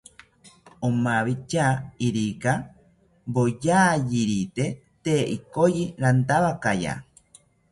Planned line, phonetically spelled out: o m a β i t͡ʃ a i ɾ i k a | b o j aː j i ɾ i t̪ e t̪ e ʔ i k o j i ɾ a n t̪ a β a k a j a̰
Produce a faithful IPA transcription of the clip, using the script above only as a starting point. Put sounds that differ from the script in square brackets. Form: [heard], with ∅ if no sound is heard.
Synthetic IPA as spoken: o m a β i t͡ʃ a i ɾ i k a | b o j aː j i ɾ i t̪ e t̪ e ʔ i k o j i ɾ a n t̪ a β a k a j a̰